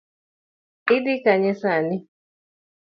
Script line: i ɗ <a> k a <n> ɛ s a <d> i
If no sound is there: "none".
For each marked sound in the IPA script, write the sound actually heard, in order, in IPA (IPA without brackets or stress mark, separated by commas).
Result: i, ɲ, n